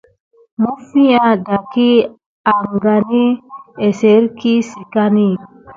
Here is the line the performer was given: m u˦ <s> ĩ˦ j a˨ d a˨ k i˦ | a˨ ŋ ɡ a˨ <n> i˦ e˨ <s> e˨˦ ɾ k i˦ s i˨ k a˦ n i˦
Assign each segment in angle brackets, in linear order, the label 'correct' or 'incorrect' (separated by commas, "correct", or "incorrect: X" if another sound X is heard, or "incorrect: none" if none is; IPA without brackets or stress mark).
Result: incorrect: f, correct, correct